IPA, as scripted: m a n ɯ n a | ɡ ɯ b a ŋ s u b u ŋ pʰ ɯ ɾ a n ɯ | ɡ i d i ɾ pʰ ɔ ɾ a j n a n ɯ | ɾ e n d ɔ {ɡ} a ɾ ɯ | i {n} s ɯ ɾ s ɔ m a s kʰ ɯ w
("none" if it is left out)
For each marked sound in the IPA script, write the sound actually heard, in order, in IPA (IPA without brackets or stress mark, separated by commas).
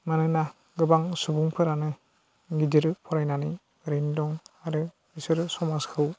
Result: ŋ, none